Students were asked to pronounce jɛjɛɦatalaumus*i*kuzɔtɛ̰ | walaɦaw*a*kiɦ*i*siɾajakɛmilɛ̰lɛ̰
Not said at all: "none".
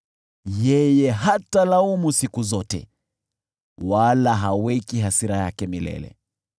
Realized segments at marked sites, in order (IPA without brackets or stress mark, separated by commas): i, ɛ, a